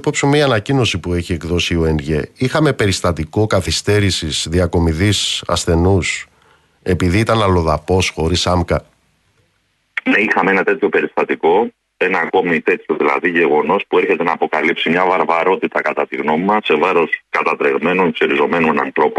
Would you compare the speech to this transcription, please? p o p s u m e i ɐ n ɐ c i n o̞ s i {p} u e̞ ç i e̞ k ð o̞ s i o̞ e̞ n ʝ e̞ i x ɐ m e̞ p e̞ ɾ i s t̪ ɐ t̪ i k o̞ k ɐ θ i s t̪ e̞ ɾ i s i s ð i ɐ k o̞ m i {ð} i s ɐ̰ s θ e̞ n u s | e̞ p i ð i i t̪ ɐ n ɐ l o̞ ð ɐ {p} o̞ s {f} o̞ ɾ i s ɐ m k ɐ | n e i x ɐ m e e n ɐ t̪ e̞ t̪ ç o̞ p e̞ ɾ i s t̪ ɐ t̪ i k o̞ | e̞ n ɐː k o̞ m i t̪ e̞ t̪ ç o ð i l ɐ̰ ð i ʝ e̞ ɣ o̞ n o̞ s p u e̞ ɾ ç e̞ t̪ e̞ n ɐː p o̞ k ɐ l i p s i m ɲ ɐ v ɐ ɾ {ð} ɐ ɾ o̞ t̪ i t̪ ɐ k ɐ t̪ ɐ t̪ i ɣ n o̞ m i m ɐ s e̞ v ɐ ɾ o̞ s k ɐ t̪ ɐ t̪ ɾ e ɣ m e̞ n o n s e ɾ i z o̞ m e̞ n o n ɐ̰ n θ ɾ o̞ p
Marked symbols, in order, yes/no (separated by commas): yes, yes, yes, no, no